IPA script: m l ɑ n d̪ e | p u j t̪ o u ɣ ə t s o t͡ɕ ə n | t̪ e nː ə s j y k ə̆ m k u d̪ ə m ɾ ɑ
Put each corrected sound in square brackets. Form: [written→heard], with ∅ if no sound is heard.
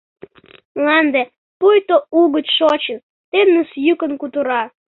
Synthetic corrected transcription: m l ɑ n d̪ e | p u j t̪ o u ɣ ə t [s→ʃ] o t͡ɕ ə n | t̪ e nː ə s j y k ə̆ [m→n] k u [d̪→t̪] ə [m→∅] ɾ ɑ